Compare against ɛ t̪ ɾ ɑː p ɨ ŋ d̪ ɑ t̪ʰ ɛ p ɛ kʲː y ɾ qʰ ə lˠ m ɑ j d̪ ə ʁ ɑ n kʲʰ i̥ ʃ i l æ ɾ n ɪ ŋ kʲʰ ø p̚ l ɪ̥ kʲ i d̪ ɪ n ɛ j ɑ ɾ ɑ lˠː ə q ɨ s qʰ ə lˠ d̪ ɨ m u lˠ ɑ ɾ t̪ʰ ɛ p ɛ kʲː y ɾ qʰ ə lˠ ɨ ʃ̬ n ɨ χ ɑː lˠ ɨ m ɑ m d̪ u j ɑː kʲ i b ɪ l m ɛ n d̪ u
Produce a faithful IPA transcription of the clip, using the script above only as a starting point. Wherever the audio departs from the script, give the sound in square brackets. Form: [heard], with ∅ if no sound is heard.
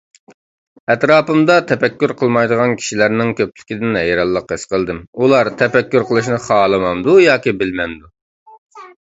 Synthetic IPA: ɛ t̪ ɾ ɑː p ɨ [m] d̪ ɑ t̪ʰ ɛ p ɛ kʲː y ɾ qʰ ə lˠ m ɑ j d̪ ə ʁ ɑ n kʲʰ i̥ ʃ i l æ ɾ n ɪ ŋ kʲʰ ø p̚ l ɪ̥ kʲ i d̪ ɪ n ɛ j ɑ ɾ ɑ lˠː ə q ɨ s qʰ ə lˠ d̪ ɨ m u lˠ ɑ ɾ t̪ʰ ɛ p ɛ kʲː y ɾ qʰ ə lˠ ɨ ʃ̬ n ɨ χ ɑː lˠ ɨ m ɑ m d̪ u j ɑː kʲ i b ɪ l m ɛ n d̪ u